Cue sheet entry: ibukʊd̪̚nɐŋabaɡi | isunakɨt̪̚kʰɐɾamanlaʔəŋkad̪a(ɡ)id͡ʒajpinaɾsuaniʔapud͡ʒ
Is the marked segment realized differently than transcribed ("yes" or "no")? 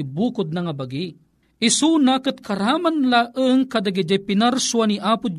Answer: no